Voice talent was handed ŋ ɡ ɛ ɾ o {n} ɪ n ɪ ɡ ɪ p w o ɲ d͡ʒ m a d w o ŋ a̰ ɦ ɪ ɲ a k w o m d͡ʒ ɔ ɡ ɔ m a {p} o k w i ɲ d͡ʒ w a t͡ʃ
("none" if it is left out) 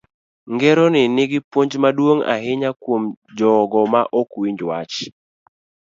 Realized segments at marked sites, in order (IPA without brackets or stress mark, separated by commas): n, ʔ